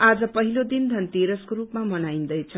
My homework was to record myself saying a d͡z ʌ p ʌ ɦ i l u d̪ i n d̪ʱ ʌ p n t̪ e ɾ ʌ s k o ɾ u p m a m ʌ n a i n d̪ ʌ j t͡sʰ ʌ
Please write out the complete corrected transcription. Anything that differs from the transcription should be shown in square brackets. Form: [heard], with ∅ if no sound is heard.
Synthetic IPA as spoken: a d͡z ʌ p ʌ ɦ i l [o] d̪ i n d̪ʱ ʌ [∅] n t̪ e ɾ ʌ s k o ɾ u p m a m ʌ n a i n d̪ ʌ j t͡sʰ ʌ